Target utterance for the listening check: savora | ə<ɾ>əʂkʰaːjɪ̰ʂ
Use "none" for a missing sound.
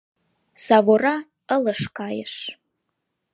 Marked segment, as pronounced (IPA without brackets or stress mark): l